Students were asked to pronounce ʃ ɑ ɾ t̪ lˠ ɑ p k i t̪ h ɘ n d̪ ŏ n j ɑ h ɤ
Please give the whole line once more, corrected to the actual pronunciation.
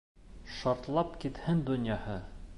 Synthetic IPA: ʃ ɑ ɾ t̪ lˠ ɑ p k i t̪ h ɘ n d̪ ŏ n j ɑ h ɤ